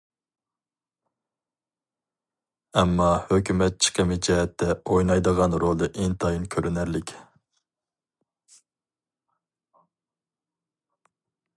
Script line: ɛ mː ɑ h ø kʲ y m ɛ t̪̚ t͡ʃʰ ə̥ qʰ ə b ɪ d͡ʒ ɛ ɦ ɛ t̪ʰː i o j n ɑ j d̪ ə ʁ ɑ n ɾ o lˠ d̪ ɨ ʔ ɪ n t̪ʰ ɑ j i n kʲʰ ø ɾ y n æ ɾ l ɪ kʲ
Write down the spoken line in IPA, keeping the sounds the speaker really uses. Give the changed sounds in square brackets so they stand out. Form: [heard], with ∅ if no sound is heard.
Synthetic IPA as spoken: ɛ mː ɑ h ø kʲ y m ɛ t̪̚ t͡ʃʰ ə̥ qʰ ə [m] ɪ d͡ʒ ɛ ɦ ɛ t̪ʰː [ɛ] o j n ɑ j d̪ ə ʁ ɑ n ɾ o lˠ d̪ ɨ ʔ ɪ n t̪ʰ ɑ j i n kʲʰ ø ɾ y n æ ɾ l ɪ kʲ